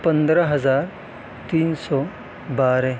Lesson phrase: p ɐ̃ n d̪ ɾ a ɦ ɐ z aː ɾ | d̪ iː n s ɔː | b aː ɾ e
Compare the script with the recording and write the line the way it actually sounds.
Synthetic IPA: p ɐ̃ n d̪ ɾ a ɦ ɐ z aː ɾ | t̪ iː n s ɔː | b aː ɾ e